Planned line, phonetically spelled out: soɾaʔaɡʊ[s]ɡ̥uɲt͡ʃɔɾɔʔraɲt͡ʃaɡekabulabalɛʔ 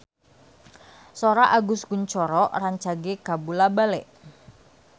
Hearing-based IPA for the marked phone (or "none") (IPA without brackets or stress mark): s